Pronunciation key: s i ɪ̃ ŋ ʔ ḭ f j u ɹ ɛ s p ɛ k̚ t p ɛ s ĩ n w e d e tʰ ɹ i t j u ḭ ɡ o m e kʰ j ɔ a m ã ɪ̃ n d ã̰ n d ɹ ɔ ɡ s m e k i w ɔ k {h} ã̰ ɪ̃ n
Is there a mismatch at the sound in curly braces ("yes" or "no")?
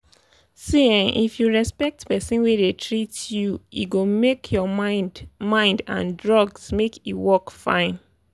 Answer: yes